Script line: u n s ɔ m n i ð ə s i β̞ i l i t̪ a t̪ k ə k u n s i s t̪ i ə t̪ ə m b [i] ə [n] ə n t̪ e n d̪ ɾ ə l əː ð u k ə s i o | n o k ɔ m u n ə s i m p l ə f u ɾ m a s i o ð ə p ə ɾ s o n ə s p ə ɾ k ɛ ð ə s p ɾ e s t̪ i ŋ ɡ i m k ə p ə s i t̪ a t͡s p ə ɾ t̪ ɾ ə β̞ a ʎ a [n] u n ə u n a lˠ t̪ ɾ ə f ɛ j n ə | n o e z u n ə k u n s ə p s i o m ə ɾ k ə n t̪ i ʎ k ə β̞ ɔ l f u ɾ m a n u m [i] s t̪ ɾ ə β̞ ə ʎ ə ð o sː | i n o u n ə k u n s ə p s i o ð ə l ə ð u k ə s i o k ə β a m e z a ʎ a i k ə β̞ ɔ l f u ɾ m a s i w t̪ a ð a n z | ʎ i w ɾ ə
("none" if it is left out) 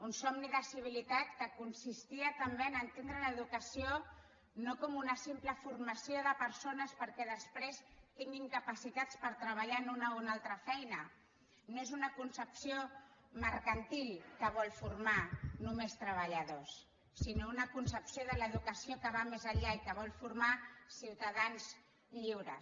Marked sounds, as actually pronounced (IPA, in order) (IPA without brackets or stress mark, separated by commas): e, n, n, e